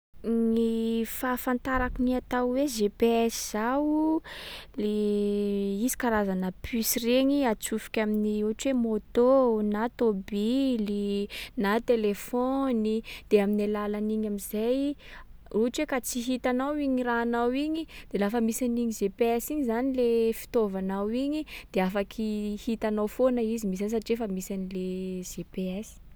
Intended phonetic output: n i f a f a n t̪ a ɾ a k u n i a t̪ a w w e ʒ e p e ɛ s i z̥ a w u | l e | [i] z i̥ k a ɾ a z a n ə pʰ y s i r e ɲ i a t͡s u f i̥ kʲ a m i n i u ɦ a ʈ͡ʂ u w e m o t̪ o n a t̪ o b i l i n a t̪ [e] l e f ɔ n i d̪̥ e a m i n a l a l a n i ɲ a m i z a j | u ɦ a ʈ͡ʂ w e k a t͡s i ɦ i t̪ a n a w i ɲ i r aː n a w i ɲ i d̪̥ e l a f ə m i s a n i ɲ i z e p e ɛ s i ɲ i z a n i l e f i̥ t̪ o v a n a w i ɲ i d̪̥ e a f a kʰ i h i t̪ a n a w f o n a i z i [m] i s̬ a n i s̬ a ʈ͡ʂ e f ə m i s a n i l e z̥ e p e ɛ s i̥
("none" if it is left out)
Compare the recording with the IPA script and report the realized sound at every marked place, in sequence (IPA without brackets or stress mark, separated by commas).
i, e, m